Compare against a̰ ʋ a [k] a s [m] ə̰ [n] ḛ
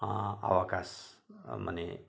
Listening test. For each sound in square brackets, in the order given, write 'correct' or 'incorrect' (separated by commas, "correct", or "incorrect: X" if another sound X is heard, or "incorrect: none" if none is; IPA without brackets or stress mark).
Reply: correct, correct, correct